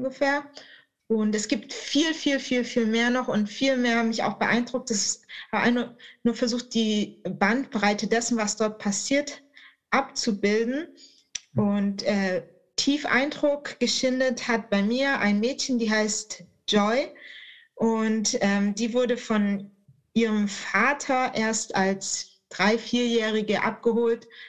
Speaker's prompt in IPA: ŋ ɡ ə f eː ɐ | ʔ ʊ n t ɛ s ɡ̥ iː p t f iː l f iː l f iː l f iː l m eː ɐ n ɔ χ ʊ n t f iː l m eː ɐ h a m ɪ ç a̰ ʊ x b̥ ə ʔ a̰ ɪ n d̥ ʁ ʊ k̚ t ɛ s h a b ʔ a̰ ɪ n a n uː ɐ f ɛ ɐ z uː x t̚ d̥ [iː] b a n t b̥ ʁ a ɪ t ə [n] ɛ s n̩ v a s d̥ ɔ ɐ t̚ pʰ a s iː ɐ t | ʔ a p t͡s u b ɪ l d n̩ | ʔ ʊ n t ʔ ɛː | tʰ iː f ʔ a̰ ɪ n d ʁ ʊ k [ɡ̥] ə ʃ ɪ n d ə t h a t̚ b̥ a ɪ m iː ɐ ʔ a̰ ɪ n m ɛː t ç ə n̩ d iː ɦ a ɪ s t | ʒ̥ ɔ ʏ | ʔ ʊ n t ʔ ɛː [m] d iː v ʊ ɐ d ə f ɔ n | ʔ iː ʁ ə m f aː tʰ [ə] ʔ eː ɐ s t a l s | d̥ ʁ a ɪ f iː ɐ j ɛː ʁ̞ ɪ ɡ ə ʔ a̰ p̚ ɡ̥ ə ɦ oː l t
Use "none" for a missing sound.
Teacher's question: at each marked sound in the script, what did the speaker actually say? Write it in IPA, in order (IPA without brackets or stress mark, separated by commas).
iː, d, ɡ̥, m, ɐ